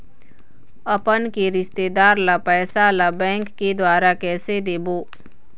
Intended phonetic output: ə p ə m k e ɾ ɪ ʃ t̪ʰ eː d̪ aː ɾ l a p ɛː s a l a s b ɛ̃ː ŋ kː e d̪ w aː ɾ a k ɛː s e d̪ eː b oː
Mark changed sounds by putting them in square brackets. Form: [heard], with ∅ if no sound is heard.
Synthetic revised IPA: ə p ə [n] k e ɾ ɪ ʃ [t̪] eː d̪ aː ɾ l a p ɛː s a l a [∅] b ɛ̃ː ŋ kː e d̪ w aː ɾ a k ɛː s e d̪ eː b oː